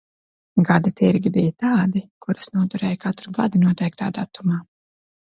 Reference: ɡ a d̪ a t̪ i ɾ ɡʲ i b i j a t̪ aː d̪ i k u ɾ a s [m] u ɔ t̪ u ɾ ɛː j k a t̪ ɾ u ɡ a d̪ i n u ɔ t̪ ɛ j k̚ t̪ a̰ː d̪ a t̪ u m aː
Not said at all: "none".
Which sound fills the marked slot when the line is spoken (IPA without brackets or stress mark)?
n